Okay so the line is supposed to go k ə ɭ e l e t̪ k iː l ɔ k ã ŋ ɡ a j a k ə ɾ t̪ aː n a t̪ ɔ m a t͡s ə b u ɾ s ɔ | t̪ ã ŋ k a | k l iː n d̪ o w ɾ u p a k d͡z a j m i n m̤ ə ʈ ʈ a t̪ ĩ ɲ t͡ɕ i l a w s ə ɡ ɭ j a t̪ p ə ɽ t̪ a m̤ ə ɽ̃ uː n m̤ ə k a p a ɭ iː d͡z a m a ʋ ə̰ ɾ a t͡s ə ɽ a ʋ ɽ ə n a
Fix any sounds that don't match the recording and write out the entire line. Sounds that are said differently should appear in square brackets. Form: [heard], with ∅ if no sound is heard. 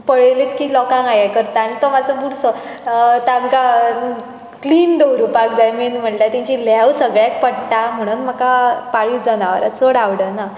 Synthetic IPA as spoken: [p] ə ɭ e l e t̪ k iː l ɔ k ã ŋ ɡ a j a k ə ɾ t̪ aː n [i] t̪ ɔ m a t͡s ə b u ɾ s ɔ | t̪ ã ŋ k a | k l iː n d̪ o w ɾ u p a k d͡z a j m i n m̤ ə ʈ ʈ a t̪ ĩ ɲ t͡ɕ i l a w s ə ɡ ɭ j a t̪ p ə ɽ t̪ a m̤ ə ɽ̃ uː n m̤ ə k a p a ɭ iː d͡z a [n] a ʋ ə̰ ɾ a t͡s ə ɽ a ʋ ɽ ə n a